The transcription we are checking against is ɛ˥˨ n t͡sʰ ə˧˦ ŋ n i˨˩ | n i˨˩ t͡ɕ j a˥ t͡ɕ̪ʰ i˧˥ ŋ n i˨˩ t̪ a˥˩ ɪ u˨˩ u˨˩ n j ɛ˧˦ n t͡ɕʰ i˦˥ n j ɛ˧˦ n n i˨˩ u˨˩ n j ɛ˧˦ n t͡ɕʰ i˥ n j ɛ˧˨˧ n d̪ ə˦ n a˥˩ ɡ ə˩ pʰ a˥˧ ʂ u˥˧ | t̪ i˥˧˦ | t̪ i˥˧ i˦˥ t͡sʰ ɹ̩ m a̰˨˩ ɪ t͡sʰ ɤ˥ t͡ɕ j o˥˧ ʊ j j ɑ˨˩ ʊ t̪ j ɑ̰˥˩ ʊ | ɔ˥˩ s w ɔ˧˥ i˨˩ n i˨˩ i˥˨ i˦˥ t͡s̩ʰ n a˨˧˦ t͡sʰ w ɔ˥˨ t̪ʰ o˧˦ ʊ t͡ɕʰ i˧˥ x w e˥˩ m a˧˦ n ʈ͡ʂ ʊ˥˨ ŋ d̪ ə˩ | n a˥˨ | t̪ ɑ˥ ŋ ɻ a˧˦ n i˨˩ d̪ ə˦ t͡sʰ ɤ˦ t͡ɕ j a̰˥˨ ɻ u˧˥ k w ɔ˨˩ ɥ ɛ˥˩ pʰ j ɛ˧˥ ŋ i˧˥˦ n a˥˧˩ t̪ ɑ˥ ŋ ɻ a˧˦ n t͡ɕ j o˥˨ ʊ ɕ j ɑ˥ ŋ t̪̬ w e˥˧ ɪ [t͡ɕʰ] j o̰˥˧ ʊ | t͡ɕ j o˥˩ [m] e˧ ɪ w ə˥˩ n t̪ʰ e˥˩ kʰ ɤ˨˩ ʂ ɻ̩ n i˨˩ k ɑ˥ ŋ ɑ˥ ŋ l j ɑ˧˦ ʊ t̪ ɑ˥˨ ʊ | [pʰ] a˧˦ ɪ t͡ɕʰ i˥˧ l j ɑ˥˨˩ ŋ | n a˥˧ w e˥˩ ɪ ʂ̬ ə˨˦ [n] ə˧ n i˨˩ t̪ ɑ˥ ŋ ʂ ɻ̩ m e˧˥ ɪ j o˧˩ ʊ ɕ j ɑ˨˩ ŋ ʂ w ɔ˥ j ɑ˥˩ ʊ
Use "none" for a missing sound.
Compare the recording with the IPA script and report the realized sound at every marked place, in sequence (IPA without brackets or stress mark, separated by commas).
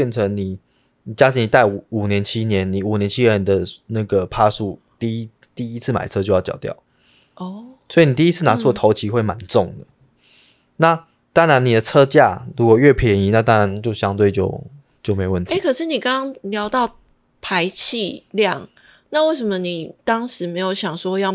t͡ɕ, m, pʰ, m